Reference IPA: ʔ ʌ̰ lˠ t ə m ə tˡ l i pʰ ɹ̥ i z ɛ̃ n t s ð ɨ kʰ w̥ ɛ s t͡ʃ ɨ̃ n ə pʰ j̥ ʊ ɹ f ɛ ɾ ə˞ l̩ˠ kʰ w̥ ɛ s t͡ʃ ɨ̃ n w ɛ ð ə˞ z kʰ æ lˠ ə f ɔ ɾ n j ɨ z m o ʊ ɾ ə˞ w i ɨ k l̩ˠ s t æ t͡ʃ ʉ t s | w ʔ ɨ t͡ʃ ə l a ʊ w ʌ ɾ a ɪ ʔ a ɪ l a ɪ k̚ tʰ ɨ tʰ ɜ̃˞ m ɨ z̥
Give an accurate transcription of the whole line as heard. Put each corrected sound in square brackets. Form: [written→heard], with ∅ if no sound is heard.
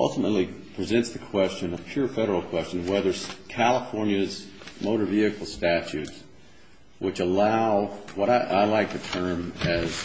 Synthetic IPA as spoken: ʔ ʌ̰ lˠ t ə m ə tˡ l i pʰ ɹ̥ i z ɛ̃ n t s ð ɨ kʰ w̥ ɛ s t͡ʃ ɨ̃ n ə pʰ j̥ ʊ ɹ f ɛ ɾ ə˞ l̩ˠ kʰ w̥ ɛ s t͡ʃ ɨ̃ n w ɛ ð ə˞ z kʰ æ lˠ ə f ɔ [ɾ→ɹ] n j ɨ z m o ʊ ɾ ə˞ [w→v] i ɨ k l̩ˠ s t æ t͡ʃ ʉ t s | w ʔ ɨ t͡ʃ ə l a ʊ w ʌ ɾ a ɪ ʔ a ɪ l a ɪ k̚ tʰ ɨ tʰ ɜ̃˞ m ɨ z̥

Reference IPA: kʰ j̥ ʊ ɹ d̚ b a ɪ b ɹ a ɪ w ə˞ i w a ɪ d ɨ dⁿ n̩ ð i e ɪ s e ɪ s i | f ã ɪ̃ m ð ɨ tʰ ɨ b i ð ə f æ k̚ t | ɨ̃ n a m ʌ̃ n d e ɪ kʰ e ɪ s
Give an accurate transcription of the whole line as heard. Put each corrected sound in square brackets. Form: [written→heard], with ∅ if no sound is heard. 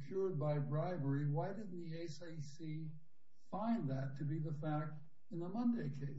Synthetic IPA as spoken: kʰ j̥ ʊ ɹ d̚ b a ɪ b ɹ a ɪ [w→v] ə˞ i w a ɪ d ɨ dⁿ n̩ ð i e ɪ s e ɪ s i | f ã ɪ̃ [m→n] ð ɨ tʰ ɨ b i ð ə f æ k̚ t | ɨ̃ n [a→ə] m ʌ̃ n d e ɪ kʰ e ɪ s

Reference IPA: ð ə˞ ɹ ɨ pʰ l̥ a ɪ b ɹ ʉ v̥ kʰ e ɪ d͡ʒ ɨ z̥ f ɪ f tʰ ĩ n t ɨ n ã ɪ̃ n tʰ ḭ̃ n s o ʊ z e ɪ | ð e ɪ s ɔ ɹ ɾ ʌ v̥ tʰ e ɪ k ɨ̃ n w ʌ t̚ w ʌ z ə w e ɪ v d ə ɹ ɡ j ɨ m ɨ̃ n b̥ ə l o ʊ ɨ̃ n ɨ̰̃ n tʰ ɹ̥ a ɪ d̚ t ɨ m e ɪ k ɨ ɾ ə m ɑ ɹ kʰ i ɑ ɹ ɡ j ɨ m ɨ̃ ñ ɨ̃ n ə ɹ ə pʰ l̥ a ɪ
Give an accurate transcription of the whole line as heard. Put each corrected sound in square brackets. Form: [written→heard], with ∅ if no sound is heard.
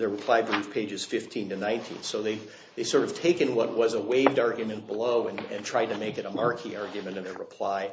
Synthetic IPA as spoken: ð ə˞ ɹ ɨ pʰ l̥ a ɪ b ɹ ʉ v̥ [kʰ→pʰ] e ɪ d͡ʒ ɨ z̥ f ɪ f tʰ ĩ n t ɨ n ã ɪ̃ n tʰ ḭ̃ n s o ʊ [z→ð] e ɪ | ð e ɪ s ɔ ɹ ɾ ʌ v̥ tʰ e ɪ k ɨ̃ n w ʌ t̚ w ʌ z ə w e ɪ v d [ə→ɑ] ɹ ɡ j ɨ m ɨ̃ n b̥ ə l o ʊ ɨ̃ n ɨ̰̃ n tʰ ɹ̥ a ɪ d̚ t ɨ m e ɪ k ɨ ɾ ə m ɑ ɹ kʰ i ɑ ɹ ɡ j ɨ m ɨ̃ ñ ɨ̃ n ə ɹ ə pʰ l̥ a ɪ

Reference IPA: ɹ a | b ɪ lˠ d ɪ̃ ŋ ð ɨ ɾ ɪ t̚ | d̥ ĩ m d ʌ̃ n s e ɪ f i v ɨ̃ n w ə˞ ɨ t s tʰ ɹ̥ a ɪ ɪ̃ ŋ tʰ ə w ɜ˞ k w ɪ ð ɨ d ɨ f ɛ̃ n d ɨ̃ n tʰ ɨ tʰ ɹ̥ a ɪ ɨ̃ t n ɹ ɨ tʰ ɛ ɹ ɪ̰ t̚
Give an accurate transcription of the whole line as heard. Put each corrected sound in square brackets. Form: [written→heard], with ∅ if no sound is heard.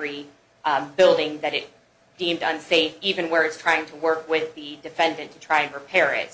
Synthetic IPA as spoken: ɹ [a→i] | b ɪ lˠ d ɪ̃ ŋ ð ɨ ɾ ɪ t̚ | d̥ ĩ m d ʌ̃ n s e ɪ f i v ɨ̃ n w ə˞ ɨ t s tʰ ɹ̥ a ɪ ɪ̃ ŋ tʰ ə w ɜ˞ k w ɪ ð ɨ d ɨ f ɛ̃ n d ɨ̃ n tʰ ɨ tʰ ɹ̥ a ɪ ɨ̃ [t→∅] n ɹ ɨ [tʰ→pʰ] ɛ ɹ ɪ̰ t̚

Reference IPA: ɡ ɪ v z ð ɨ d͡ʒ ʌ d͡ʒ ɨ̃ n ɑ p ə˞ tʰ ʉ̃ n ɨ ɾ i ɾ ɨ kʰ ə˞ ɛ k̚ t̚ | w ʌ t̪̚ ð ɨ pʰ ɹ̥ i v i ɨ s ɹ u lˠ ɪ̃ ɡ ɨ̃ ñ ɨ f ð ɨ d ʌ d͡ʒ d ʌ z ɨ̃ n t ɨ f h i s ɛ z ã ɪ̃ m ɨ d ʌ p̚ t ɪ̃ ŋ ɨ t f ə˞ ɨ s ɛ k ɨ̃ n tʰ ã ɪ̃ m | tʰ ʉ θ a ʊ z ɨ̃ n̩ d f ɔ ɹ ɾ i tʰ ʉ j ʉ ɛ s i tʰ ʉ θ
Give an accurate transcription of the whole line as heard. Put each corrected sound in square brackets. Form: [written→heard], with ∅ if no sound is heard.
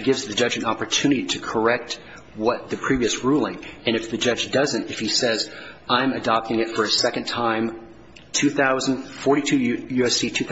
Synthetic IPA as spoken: ɡ ɪ v z ð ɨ d͡ʒ ʌ d͡ʒ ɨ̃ n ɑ p ə˞ tʰ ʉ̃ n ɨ ɾ i ɾ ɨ kʰ ə˞ ɛ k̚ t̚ | w ʌ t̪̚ ð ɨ pʰ ɹ̥ i v i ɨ s ɹ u lˠ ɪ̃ [ɡ→ŋ] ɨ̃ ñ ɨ f ð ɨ [d→d͡ʒ] ʌ d͡ʒ d ʌ z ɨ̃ n t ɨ f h i s ɛ z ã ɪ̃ m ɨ d [ʌ→ɑ] p̚ t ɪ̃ ŋ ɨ t f ə˞ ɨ s ɛ k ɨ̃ n tʰ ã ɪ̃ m | tʰ ʉ θ a ʊ z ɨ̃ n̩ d f ɔ ɹ ɾ i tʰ ʉ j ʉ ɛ s i tʰ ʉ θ

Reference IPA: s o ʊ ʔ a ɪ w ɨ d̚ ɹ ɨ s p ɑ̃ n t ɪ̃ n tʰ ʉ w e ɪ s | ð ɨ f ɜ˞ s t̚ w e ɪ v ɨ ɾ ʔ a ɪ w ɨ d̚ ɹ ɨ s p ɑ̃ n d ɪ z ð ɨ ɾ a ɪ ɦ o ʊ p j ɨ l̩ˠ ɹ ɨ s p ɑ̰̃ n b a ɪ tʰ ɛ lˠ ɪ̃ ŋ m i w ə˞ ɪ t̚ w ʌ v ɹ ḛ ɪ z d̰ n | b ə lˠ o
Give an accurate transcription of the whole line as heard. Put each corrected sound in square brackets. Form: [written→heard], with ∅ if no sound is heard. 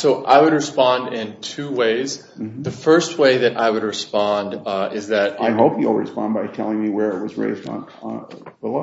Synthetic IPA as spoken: s o ʊ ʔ a ɪ w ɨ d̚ ɹ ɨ s p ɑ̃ n [t→d] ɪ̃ n tʰ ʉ w e ɪ [s→z] | ð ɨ f ɜ˞ s t̚ w e ɪ [v→ð] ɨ ɾ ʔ a ɪ w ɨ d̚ ɹ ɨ s p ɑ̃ n d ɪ z ð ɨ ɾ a ɪ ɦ o ʊ p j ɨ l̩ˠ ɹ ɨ s p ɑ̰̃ n b a ɪ tʰ ɛ lˠ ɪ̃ ŋ m i w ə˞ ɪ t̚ w ʌ [v→z] ɹ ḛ ɪ z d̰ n | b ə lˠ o

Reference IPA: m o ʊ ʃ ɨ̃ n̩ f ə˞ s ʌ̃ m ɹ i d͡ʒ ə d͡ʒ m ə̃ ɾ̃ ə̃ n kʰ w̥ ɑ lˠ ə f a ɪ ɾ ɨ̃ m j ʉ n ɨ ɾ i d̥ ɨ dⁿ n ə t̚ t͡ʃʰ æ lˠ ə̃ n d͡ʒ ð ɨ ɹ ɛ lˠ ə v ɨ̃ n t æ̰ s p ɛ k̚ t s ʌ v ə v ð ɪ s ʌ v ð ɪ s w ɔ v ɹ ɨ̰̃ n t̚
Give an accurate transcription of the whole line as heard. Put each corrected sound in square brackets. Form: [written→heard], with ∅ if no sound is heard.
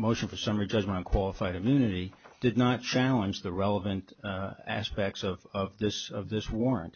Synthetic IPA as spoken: m o ʊ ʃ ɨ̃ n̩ f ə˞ s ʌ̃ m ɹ i d͡ʒ [ə→ʌ] d͡ʒ m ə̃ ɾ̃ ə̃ n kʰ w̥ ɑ lˠ ə f a ɪ ɾ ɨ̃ m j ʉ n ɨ ɾ i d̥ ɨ dⁿ n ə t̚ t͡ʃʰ æ lˠ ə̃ n d͡ʒ ð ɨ ɹ ɛ lˠ ə v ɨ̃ n t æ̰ s p ɛ k̚ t s ʌ v [ə→ʌ] v ð ɪ s ʌ v ð ɪ s w ɔ [v→∅] ɹ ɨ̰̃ n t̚

